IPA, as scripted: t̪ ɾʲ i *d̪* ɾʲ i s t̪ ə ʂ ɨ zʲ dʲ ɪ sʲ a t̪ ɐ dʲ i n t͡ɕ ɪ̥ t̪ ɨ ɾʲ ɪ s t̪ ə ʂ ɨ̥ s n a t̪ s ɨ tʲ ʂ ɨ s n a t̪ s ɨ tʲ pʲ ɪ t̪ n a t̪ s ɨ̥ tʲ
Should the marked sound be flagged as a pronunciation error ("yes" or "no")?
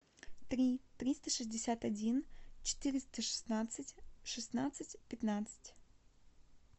yes